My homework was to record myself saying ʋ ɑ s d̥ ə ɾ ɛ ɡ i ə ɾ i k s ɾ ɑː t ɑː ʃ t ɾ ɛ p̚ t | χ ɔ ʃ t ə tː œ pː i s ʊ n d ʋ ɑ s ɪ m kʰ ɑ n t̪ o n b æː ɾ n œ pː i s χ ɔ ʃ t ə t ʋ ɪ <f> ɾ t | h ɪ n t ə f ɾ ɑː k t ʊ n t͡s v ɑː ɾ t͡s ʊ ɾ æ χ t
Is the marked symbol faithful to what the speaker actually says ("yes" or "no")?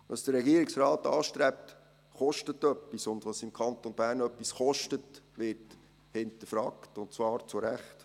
no